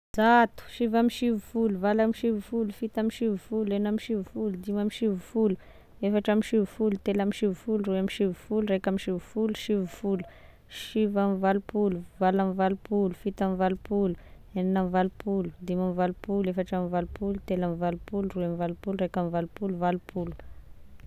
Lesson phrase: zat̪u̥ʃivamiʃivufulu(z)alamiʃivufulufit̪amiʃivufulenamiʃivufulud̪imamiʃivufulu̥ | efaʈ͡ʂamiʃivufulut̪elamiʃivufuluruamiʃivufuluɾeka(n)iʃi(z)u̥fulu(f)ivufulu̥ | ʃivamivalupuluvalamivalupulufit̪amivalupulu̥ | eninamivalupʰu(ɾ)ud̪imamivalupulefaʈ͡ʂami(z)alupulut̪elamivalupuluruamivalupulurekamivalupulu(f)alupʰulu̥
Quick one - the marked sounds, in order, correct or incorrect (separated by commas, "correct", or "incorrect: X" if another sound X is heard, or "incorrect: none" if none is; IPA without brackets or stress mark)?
incorrect: v, incorrect: m, incorrect: v, incorrect: ʃ, incorrect: l, incorrect: v, incorrect: v